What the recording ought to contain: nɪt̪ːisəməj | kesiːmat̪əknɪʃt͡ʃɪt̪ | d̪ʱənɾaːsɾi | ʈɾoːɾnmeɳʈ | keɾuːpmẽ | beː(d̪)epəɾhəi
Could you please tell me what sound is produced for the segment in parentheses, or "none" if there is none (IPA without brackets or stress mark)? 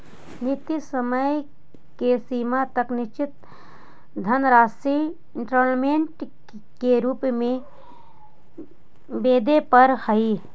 d̪